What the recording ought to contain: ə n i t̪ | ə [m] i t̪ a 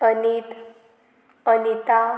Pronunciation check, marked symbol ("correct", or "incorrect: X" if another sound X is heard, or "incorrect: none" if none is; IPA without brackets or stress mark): incorrect: n